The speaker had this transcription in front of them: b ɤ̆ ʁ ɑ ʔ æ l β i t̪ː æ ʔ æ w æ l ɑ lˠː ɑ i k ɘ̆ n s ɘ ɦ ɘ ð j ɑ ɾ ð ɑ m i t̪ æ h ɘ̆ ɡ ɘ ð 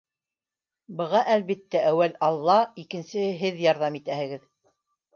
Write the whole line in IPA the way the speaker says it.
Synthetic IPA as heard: b ɤ̆ ʁ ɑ ʔ æ l β i t̪ː æ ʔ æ w æ l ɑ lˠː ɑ i k ɘ̆ n s ɘ ɦ ɘ ð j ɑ ɾ ð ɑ m i t̪ æ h ɘ̆ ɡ ɘ ð